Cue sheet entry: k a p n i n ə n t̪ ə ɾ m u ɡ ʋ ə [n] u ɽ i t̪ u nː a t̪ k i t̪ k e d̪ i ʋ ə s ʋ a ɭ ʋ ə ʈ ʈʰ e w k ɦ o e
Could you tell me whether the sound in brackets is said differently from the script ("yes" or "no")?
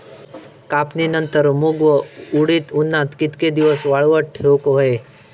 yes